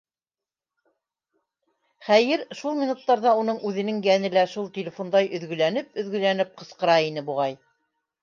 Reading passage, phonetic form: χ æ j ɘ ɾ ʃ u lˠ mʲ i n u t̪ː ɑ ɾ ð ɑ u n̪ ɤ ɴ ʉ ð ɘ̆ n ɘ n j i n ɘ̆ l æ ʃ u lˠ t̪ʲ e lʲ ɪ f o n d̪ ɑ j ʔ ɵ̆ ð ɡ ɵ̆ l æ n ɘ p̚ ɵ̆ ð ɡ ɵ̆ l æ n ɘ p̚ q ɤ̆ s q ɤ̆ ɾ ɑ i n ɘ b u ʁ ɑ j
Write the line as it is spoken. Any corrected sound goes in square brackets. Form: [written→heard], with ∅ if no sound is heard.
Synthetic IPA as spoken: χ æ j ɘ ɾ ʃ u lˠ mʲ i n u t̪ː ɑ ɾ ð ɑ u n̪ ɤ ɴ ʉ ð ɘ̆ n ɘ [n→ŋ] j [i→æ] n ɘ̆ l æ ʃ u lˠ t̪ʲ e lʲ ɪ f o n d̪ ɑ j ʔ ɵ̆ ð ɡ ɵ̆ l æ n ɘ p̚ ɵ̆ ð ɡ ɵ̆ l æ n ɘ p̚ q ɤ̆ s q ɤ̆ ɾ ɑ i n ɘ b u ʁ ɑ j